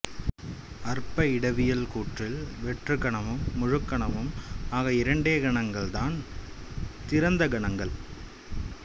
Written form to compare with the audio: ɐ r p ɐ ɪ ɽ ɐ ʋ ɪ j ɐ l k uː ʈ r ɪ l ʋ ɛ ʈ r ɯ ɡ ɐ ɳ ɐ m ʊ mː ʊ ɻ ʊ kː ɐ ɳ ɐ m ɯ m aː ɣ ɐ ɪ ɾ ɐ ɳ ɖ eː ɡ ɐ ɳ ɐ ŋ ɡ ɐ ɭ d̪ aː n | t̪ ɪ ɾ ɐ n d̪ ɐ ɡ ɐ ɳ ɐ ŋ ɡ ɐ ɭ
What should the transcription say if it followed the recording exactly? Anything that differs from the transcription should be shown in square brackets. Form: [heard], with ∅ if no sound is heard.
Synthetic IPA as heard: ɐ r p ɐ ɪ ɽ ɐ ʋ ɪ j ɐ l k uː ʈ r ɪ l ʋ ɛ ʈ r ɯ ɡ ɐ ɳ ɐ m [ɯ] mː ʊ ɻ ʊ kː ɐ ɳ ɐ m ɯ m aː ɣ ɐ ɪ ɾ ɐ ɳ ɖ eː ɡ ɐ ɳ ɐ ŋ ɡ ɐ ɭ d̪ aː n | t̪ ɪ ɾ ɐ n d̪ ɐ ɡ ɐ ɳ ɐ ŋ ɡ ɐ ɭ

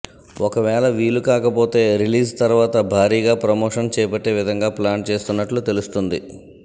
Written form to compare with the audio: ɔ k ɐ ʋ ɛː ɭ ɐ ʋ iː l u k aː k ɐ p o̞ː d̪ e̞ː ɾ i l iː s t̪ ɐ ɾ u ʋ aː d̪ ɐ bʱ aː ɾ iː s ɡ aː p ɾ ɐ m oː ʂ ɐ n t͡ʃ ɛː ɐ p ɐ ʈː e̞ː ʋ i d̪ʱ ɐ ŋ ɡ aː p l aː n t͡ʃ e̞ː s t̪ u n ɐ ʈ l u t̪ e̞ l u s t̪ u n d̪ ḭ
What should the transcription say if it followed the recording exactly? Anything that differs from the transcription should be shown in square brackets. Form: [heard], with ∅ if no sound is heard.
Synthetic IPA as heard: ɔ k ɐ ʋ ɛː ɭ ɐ ʋ iː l u k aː k ɐ p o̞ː [t̪] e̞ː ɾ i l iː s t̪ ɐ ɾ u ʋ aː [t̪] ɐ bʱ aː ɾ iː [∅] ɡ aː p ɾ ɐ m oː ʂ ɐ n t͡ʃ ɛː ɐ p ɐ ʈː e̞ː ʋ i d̪ʱ ɐ ŋ ɡ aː p l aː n t͡ʃ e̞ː s t̪ u [nː] ɐ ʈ l u t̪ e̞ l u s t̪ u n d̪ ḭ

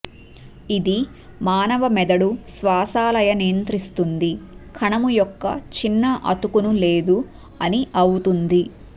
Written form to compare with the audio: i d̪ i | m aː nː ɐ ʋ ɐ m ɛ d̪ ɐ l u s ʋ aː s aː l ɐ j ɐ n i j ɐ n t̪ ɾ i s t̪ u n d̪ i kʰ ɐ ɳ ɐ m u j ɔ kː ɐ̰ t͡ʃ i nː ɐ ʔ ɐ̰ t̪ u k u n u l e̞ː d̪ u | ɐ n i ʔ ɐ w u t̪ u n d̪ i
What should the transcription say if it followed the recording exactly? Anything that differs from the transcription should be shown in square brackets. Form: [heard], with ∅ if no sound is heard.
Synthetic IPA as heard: i d̪ i | m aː [n] ɐ ʋ ɐ m ɛ d̪ ɐ [ɽ] u s ʋ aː s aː l ɐ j ɐ n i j ɐ n t̪ ɾ i s t̪ u n d̪ i kʰ ɐ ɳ ɐ m u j ɔ kː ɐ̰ t͡ʃ i nː ɐ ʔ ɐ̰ t̪ u k u n u l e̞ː d̪ u | ɐ n i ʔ ɐ w u t̪ u n d̪ i

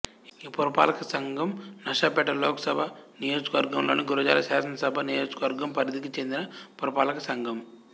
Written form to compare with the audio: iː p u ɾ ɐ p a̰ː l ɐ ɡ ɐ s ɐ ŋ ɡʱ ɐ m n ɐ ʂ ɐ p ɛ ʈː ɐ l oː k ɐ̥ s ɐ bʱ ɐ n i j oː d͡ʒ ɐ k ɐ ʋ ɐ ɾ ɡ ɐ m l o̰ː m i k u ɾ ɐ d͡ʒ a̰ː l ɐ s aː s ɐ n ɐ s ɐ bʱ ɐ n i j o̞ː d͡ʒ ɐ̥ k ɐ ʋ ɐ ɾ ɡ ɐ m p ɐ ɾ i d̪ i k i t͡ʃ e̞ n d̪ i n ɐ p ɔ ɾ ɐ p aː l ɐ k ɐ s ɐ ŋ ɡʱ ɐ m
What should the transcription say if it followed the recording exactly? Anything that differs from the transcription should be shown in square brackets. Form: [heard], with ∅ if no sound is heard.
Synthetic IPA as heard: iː p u ɾ ɐ p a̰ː l ɐ [k] ɐ s ɐ ŋ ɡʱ ɐ m n ɐ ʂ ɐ p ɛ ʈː ɐ l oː k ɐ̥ s ɐ bʱ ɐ n i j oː d͡ʒ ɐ k ɐ ʋ ɐ ɾ ɡ ɐ m l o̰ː [n] i [ɡ] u ɾ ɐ d͡ʒ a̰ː l ɐ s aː s ɐ n ɐ s ɐ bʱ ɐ n i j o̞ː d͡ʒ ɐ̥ k ɐ ʋ ɐ ɾ ɡ ɐ m p ɐ ɾ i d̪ i k i t͡ʃ e̞ n d̪ i n ɐ p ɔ ɾ ɐ p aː l ɐ k ɐ s ɐ ŋ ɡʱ ɐ m

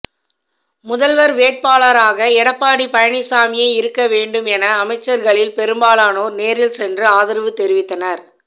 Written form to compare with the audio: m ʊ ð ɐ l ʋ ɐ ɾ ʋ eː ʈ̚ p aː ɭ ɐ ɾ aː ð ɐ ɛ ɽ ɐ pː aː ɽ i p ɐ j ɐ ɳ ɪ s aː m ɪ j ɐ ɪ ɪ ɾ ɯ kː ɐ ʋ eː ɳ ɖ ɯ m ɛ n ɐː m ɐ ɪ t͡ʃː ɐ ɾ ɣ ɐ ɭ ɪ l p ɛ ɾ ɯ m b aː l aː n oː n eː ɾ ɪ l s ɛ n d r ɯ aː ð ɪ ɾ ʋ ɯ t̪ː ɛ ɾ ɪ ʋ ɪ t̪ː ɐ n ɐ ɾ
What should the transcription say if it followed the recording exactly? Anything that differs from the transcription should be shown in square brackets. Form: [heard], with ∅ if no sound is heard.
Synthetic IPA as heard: m ʊ ð ɐ l ʋ ɐ ɾ ʋ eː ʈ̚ p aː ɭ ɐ ɾ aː [ɣ] ɐ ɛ ɽ ɐ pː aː ɽ i p ɐ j ɐ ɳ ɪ s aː m ɪ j ɐ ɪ ɪ ɾ ɯ kː ɐ ʋ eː ɳ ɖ ɯ m ɛ n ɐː m ɐ ɪ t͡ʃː ɐ ɾ ɣ ɐ ɭ ɪ l p ɛ ɾ ɯ m b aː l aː n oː n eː ɾ ɪ l s ɛ n d r ɯ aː ð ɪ ɾ ʋ ɯ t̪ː ɛ ɾ ɪ ʋ ɪ t̪ː ɐ n ɐ ɾ

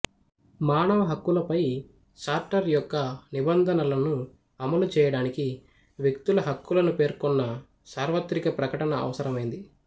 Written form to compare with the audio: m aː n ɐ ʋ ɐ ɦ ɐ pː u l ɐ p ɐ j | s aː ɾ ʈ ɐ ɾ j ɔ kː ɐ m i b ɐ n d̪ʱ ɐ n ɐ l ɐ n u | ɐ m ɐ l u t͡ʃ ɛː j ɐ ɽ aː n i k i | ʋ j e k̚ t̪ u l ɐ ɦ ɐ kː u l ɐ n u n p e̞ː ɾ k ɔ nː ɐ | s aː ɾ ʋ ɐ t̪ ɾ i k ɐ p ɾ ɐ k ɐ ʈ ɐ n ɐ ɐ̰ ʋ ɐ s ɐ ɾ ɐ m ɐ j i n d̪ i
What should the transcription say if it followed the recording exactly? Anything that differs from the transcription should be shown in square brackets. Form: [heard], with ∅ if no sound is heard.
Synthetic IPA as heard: m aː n ɐ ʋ ɐ ɦ ɐ [kː] u l ɐ p ɐ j | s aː ɾ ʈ ɐ ɾ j ɔ kː ɐ [n] i b ɐ n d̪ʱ ɐ n ɐ l ɐ n u | ɐ m ɐ l u t͡ʃ ɛː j ɐ ɽ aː n i k i | ʋ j e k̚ t̪ u l ɐ ɦ ɐ kː u l ɐ n u [∅] p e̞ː ɾ k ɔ nː ɐ | s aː ɾ ʋ ɐ t̪ ɾ i k ɐ p ɾ ɐ k ɐ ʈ ɐ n ɐ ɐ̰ ʋ ɐ s ɐ ɾ ɐ m ɐ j i n d̪ i

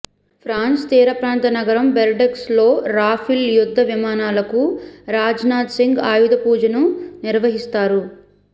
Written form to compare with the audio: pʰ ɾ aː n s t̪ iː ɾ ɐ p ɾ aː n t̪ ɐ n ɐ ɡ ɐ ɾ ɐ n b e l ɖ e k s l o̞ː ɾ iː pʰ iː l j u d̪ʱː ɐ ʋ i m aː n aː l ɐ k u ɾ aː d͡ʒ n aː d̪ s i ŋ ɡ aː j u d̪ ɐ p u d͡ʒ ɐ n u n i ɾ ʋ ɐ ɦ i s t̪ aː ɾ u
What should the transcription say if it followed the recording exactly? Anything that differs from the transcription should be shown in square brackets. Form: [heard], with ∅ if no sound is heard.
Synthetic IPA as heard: pʰ ɾ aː n s t̪ iː ɾ ɐ p ɾ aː n t̪ ɐ n ɐ ɡ ɐ ɾ ɐ [m] b e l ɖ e k s l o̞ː ɾ [aː] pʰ [i] l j u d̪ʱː ɐ ʋ i m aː n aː l ɐ k u ɾ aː d͡ʒ n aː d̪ s i ŋ ɡ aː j u d̪ ɐ p [uː] d͡ʒ ɐ n u n i ɾ ʋ ɐ ɦ i s t̪ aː ɾ u

